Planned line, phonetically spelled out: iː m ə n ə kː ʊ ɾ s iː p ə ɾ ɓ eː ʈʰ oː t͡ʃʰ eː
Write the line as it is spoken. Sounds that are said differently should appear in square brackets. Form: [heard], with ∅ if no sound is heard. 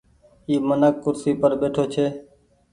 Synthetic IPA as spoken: iː m ə n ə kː ʊ ɾ s iː p ə ɾ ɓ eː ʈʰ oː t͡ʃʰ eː